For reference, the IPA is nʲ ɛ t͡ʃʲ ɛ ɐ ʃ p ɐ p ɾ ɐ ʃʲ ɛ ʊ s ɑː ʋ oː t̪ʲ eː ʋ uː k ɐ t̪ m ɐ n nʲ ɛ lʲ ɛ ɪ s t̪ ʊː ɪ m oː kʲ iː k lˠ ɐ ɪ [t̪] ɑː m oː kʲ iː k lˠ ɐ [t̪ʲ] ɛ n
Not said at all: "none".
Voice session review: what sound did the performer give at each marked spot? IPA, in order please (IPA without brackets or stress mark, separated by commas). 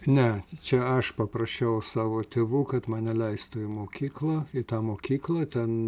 t̪, t̪ʲ